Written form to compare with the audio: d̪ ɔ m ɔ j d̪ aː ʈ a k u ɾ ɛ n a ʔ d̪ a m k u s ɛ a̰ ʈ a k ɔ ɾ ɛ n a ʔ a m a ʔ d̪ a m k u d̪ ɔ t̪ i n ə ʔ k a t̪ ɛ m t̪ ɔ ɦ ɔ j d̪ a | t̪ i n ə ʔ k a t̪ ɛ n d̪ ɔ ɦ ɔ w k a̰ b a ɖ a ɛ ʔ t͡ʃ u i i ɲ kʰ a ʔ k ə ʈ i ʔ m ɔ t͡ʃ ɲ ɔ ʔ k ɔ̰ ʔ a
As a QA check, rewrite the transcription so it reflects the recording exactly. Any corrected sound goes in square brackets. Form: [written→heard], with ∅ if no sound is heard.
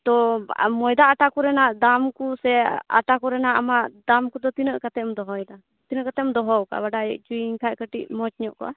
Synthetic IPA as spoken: [d̪→t̪] ɔ m ɔ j d̪ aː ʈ a k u ɾ ɛ n a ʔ d̪ a m k u s ɛ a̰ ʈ a k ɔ ɾ ɛ n a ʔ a m a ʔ d̪ a m k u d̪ ɔ t̪ i n ə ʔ k a t̪ ɛ m [t̪→d̪] ɔ ɦ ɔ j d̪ a | t̪ i n ə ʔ k a t̪ ɛ [n→m] d̪ ɔ ɦ ɔ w k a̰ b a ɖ a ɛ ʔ t͡ʃ u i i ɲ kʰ a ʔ k ə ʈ i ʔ m ɔ t͡ʃ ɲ ɔ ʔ k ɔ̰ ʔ a